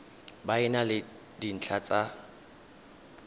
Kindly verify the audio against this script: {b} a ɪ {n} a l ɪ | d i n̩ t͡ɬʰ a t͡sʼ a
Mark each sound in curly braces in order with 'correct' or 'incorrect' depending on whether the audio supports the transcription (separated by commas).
correct, correct